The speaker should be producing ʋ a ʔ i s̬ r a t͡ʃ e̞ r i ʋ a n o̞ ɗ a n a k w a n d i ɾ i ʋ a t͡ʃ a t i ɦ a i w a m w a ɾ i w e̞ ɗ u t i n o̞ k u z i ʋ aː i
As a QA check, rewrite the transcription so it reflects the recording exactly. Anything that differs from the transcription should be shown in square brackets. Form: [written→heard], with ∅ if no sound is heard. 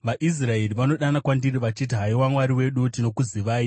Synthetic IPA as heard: ʋ a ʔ i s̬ r a [t͡ʃ→∅] e̞ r i ʋ a n o̞ ɗ a n a k w a n d i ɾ i ʋ a t͡ʃ [a→i] t i ɦ a i w a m w a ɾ i w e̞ ɗ u t i n o̞ k u z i ʋ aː i